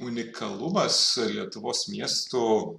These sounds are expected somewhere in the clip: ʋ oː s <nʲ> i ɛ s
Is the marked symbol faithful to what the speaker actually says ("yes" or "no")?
no